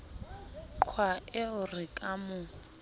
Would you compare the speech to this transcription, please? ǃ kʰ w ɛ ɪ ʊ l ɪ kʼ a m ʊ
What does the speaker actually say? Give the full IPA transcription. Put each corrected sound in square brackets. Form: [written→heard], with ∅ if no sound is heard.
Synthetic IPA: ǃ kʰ w [ɛ→a] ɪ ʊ [l→r] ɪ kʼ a m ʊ